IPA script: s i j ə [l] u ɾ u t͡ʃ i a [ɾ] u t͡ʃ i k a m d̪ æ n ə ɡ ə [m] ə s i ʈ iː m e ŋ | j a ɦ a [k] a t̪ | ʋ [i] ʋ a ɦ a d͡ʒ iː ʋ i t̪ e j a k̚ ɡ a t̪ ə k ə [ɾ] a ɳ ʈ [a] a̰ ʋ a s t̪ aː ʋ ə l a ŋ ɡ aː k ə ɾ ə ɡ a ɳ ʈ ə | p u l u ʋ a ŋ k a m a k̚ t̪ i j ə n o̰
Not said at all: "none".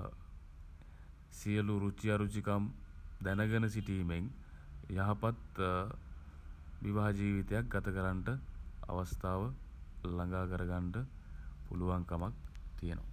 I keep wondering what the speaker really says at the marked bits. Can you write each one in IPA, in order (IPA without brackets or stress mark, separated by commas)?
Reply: l, ɾ, n, p, i, ɾ, ə